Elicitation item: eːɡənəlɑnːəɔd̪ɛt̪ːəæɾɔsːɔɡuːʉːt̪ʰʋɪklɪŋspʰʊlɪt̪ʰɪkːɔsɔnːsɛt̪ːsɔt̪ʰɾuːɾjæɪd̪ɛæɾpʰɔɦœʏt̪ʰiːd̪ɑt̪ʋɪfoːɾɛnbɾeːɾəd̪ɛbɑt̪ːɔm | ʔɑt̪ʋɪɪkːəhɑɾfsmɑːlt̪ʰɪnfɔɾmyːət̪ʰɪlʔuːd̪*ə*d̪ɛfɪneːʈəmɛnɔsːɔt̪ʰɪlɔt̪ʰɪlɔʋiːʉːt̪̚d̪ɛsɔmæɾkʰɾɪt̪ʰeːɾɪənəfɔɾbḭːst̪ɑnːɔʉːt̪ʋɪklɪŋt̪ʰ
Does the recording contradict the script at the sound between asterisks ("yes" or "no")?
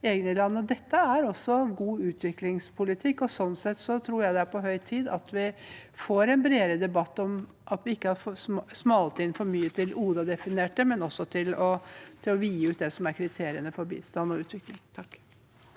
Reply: yes